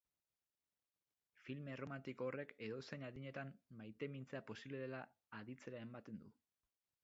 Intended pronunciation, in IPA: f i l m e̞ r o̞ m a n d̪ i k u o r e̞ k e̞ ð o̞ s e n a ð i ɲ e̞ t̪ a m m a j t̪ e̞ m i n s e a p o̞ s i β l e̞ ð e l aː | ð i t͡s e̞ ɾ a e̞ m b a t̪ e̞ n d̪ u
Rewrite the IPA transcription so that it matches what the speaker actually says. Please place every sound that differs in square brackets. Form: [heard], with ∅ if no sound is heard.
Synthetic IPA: f i l m e̞ r o̞ m a n [t̪] i k [o] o r e̞ k e̞ ð o̞ s e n a ð i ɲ e̞ t̪ a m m a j t̪ e̞ m i n [t͡s] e a p o̞ s i β l e̞ ð e l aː | ð i t͡s e̞ ɾ a e̞ m b a t̪ e̞ n d̪ u